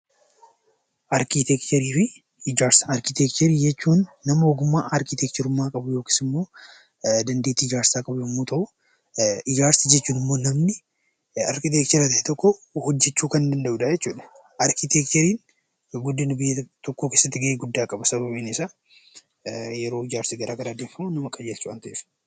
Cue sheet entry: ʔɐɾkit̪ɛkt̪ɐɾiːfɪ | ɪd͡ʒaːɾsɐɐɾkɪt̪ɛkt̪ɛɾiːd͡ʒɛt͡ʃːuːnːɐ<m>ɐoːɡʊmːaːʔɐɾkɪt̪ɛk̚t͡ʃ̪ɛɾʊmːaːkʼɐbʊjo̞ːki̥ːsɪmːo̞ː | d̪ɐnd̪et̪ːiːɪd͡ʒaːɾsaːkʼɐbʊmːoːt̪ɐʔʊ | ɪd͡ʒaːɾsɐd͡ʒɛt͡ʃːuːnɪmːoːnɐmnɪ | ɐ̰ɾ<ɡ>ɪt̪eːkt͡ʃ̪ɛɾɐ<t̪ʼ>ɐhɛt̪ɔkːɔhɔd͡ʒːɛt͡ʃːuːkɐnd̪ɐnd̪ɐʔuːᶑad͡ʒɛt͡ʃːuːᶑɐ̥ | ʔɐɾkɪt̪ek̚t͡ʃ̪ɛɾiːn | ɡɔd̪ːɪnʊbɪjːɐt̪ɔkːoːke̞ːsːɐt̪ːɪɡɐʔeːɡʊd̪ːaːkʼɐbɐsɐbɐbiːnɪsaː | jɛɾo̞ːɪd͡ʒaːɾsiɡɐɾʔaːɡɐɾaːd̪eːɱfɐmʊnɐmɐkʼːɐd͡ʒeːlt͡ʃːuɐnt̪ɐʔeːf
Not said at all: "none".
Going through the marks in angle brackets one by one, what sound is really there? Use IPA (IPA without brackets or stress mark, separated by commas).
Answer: m, k, t̪